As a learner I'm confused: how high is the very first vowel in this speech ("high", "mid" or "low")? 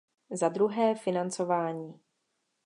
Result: low